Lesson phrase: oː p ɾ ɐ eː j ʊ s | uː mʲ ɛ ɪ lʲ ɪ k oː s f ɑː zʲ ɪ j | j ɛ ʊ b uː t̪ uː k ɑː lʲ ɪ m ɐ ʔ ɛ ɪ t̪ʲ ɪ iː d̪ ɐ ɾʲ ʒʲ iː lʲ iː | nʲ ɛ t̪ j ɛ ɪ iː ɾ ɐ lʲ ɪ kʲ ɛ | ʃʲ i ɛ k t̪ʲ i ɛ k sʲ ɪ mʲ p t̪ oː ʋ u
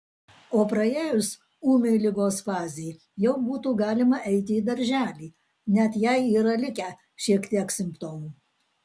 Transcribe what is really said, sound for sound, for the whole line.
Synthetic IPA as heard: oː p ɾ ɐ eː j ʊ s | uː mʲ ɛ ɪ lʲ ɪ ɡ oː s f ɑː zʲ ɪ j | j ɛ ʊ b uː t̪ uː ɡ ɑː lʲ ɪ m ɐ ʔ ɛ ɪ t̪ʲ ɪ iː d̪ ɐ ɾʲ ʒʲ æː lʲ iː | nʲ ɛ t̪ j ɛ ɪ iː ɾ ɐ lʲ ɪ kʲ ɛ | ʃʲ i ɛ k t̪ʲ i ɛ k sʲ ɪ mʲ p t̪ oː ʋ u

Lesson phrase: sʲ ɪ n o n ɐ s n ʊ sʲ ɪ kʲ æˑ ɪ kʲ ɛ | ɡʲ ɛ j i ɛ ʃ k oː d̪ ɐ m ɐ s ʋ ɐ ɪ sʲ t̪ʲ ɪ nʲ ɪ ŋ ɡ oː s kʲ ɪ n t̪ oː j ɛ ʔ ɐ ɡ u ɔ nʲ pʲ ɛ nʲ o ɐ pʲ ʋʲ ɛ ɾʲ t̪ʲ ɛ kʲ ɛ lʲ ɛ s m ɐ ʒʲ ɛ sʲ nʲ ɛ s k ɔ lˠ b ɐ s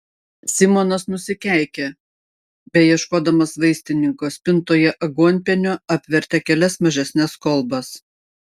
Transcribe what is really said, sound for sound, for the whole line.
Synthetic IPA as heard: sʲ ɪ m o n ɐ s n ʊ sʲ ɪ kʲ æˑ ɪ kʲ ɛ | bʲ ɛ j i ɛ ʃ k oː d̪ ɐ m ɐ s ʋ ɐ ɪ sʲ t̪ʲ ɪ nʲ ɪ ŋ k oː s pʲ ɪ n t̪ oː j ɛ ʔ ɐ ɡ u ɔ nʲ pʲ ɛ nʲ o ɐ pʲ ʋʲ ɛ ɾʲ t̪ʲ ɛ kʲ ɛ lʲ ɛ s m ɐ ʒʲ ɛ sʲ nʲ ɛ s k ɔ lˠ b ɐ s

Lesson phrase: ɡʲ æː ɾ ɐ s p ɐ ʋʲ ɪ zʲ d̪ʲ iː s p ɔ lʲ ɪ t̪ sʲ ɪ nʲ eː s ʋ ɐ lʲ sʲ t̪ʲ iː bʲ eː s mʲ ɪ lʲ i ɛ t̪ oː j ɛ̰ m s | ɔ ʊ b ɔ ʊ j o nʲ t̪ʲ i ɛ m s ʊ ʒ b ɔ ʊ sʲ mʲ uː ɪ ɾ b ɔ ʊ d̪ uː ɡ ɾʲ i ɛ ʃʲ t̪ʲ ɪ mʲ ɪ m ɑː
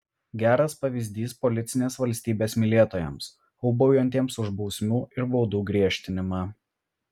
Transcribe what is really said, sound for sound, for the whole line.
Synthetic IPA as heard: ɡʲ æː ɾ ɐ s p ɐ ʋʲ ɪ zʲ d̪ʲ iː s p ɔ lʲ ɪ t̪ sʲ ɪ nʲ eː s ʋ ɐ lʲ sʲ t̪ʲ iː bʲ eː s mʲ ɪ lʲ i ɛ t̪ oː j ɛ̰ m s | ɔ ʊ b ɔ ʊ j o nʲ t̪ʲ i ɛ m s ʊ ʒ b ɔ ʊ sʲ mʲ uː ɪ ɾ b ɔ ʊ d̪ uː ɡ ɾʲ i ɛ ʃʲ t̪ʲ ɪ nʲ ɪ m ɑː

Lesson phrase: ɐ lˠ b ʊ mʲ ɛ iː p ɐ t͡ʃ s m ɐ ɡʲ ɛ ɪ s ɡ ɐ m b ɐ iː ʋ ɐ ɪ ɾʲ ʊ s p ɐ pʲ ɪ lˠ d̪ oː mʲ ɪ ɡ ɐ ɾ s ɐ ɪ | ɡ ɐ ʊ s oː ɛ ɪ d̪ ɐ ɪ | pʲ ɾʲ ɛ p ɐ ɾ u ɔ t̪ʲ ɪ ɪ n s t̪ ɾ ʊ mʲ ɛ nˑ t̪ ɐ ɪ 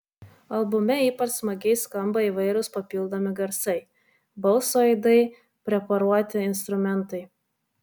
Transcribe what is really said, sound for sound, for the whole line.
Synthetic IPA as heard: ɐ lˠ b ʊ mʲ ɛ iː p ɐ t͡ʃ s m ɐ ɡʲ ɛ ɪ s k ɐ m b ɐ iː ʋ ɐ ɪ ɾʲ ʊ s p ɐ pʲ ɪ lˠ d̪ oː mʲ ɪ ɡ ɐ ɾ s ɐ ɪ | b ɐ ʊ s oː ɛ ɪ d̪ ɐ ɪ | pʲ ɾʲ ɛ p ɐ ɾ u ɔ t̪ʲ ɪ ɪ n s t̪ ɾ ʊ mʲ ɛ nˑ t̪ ɐ ɪ

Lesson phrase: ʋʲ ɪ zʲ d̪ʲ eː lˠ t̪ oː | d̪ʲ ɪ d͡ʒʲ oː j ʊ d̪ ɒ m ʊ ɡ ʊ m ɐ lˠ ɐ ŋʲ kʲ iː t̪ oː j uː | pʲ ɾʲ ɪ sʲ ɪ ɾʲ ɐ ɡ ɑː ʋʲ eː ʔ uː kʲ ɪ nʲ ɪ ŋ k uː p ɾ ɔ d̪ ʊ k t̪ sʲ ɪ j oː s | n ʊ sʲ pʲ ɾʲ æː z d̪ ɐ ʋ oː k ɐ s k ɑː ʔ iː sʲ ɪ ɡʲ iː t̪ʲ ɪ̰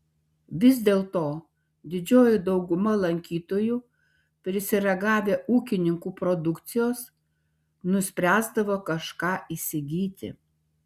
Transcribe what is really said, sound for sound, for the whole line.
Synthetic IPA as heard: ʋʲ ɪ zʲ d̪ʲ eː lˠ t̪ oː | d̪ʲ ɪ d͡ʒʲ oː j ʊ d̪ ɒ ʊ ɡ ʊ m ɐ lˠ ɐ ŋʲ kʲ iː t̪ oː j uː | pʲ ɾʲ ɪ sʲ ɪ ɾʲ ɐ ɡ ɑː ʋʲ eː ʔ uː kʲ ɪ nʲ ɪ ŋ k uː p ɾ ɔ d̪ ʊ k t̪ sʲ ɪ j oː s | n ʊ sʲ pʲ ɾʲ æː z d̪ ɐ ʋ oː k ɐ ʃ k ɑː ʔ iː sʲ ɪ ɡʲ iː t̪ʲ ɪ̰

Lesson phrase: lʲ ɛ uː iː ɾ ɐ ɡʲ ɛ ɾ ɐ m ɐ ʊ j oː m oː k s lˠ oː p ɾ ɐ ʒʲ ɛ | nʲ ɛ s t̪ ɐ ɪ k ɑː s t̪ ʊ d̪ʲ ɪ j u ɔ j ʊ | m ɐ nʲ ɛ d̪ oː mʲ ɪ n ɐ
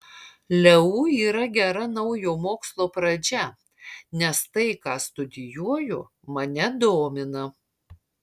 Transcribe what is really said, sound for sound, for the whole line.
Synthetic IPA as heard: lʲ ɛ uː iː ɾ ɐ ɡʲ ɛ ɾ ɐ n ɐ ʊ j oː m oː k s lˠ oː p ɾ ɐ d͡ʒʲ ɛ | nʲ ɛ s t̪ ɐ ɪ k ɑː s t̪ ʊ d̪ʲ ɪ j u ɔ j ʊ | m ɐ nʲ ɛ d̪ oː mʲ ɪ n ɐ

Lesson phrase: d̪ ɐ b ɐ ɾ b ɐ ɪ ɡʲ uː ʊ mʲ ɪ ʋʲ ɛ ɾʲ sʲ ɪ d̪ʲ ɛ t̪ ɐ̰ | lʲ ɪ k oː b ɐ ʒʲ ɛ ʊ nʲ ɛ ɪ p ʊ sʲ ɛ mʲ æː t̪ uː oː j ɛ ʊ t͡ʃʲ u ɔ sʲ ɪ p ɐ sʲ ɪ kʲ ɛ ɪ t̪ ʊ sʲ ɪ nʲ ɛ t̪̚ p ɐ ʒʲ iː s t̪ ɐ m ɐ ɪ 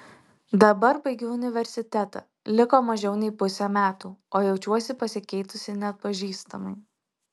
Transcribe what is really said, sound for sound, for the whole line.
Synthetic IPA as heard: d̪ ɐ b ɐ ɾ b ɐ ɪ ɡʲ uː ʊ nʲ ɪ ʋʲ ɛ ɾʲ sʲ ɪ t̪ʲ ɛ t̪ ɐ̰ | lʲ ɪ k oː m ɐ ʒʲ ɛ ʊ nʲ ɛ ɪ p ʊ sʲ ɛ mʲ æː t̪ uː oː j ɛ ʊ t͡ʃʲ u ɔ sʲ ɪ p ɐ sʲ ɪ kʲ ɛ ɪ t̪ ʊ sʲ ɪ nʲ ɛ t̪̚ p ɐ ʒʲ iː s t̪ ɐ m ɐ ɪ

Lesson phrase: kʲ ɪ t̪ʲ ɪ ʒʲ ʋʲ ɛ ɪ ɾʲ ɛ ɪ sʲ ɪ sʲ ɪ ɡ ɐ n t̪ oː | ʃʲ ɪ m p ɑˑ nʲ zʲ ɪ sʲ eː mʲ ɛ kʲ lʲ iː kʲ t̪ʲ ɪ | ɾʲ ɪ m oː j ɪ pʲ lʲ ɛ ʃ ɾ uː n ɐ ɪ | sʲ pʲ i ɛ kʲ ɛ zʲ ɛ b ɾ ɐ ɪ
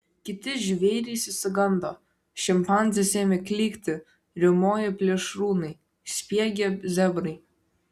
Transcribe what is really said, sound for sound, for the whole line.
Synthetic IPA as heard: kʲ ɪ t̪ʲ ɪ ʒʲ ʋʲ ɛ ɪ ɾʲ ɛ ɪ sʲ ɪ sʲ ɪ ɡ ɐ n d̪ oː | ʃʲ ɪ m p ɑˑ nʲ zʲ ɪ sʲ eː mʲ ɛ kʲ lʲ iː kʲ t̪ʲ ɪ | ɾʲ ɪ m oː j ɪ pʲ lʲ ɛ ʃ ɾ uː n ɐ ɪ | sʲ pʲ i ɛ ɡʲ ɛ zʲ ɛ b ɾ ɐ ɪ

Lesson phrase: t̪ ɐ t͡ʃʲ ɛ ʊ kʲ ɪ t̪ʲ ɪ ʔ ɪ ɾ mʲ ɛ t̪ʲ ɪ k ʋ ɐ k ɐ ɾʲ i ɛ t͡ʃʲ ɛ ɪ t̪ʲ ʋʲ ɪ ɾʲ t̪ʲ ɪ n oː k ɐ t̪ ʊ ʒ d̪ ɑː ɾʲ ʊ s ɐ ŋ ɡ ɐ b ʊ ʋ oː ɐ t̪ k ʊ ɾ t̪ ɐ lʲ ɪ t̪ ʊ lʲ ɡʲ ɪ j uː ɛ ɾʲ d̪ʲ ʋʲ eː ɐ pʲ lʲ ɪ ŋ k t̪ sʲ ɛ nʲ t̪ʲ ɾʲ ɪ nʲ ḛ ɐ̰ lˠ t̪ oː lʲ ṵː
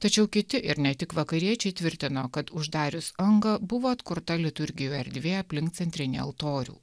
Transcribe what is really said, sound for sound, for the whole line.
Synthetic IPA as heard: t̪ ɐ t͡ʃʲ ɛ ʊ kʲ ɪ t̪ʲ ɪ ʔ ɪ ɾ nʲ ɛ t̪ʲ ɪ k ʋ ɐ k ɐ ɾʲ i ɛ t͡ʃʲ ɛ ɪ t̪ʲ ʋʲ ɪ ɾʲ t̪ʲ ɪ n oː k ɐ t̪ ʊ ʒ d̪ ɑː ɾʲ ʊ s ɐ ŋ ɡ ɐ b ʊ ʋ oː ɐ t̪ k ʊ ɾ t̪ ɐ lʲ ɪ t̪ ʊ ɾʲ ɡʲ ɪ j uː ɛ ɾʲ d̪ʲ ʋʲ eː ɐ pʲ lʲ ɪ ŋ k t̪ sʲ ɛ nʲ t̪ʲ ɾʲ ɪ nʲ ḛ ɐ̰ lˠ t̪ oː ɾʲ ṵː

